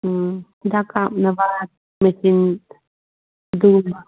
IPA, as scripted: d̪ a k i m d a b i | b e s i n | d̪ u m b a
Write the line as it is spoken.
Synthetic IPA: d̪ a k a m n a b a | m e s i n | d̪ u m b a